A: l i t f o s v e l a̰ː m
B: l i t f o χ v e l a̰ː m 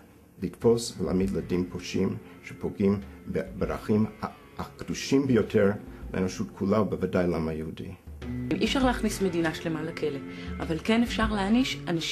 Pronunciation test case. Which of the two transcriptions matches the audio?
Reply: A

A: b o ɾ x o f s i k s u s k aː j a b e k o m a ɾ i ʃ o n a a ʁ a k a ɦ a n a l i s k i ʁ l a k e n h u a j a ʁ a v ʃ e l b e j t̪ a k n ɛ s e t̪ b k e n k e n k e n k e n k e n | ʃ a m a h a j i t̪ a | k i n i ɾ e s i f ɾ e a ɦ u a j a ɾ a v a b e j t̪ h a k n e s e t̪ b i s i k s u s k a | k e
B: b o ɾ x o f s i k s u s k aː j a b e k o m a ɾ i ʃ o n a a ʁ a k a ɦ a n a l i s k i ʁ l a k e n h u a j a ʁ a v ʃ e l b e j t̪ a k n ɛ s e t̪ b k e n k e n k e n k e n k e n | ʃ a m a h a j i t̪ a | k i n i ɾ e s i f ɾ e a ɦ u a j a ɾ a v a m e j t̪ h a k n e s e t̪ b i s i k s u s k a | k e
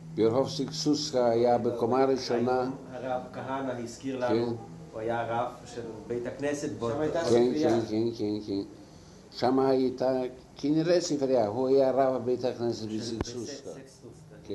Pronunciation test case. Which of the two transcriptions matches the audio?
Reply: A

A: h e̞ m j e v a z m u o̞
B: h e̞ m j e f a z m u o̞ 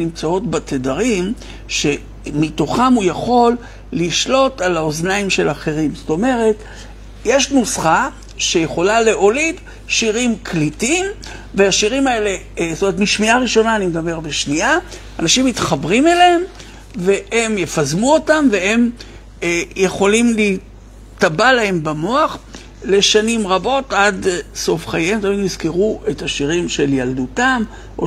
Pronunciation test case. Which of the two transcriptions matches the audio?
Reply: B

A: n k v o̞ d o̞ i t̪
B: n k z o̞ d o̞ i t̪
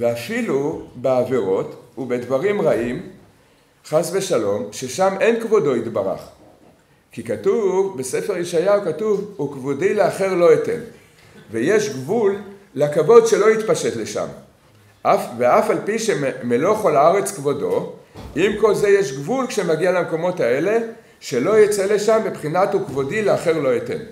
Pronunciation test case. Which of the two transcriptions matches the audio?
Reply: A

